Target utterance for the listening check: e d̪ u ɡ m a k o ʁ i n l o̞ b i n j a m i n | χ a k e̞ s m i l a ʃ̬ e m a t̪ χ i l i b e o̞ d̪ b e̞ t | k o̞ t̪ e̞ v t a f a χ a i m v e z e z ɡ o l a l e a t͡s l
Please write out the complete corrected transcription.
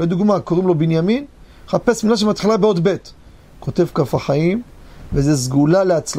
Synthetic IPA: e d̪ u ɡ m a k o ʁ i m l o̞ b i n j a m i n | χ a p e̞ s m i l a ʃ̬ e m a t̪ χ i l a b e o̞ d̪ b e̞ t | k o̞ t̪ e̞ v k a f a χ a i m v e z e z ɡ u l a l e a t͡s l